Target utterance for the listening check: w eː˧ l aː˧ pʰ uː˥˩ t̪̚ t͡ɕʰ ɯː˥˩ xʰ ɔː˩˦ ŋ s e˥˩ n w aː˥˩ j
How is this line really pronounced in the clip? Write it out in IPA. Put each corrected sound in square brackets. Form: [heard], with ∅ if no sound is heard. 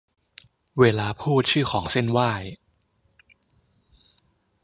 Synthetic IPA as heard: w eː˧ l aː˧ pʰ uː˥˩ t̪̚ t͡ɕʰ ɯː˥˩ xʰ ɔː˩˦ ŋ s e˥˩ n w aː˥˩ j